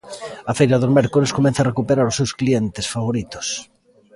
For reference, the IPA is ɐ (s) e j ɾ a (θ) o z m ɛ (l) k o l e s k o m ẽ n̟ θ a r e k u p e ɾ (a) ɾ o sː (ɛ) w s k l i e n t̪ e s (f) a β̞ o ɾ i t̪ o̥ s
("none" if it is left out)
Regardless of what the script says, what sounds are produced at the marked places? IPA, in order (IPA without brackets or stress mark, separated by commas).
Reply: f, ð, ɾ, a, e, f